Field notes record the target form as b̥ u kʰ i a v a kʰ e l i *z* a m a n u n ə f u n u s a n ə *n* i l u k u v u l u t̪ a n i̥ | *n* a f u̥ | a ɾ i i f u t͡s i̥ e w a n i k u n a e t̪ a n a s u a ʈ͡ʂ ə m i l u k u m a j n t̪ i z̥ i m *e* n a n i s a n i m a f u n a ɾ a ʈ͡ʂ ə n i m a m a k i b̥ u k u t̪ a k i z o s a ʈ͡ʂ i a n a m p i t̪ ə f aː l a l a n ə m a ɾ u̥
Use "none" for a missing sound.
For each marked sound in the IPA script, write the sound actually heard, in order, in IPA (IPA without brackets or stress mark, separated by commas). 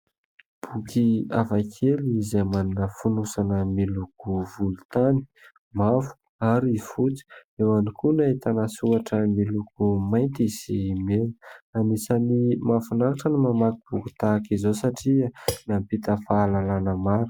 z, m, m, e